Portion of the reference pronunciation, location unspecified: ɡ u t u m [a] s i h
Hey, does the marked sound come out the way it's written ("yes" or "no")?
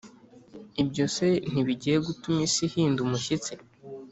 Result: no